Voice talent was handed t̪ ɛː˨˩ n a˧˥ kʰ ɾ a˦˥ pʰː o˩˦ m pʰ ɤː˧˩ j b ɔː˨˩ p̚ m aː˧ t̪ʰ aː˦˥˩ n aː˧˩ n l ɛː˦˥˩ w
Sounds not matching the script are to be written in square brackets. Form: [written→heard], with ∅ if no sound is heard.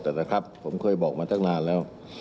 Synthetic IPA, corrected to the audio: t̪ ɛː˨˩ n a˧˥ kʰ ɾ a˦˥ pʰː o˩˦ m [pʰ→kʰ] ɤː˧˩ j b ɔː˨˩ [p̚→k̚] m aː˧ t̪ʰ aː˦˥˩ n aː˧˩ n l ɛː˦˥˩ w